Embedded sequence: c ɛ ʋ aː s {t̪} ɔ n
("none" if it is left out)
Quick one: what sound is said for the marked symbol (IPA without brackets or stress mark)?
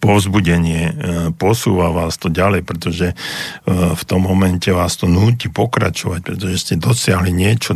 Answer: t̪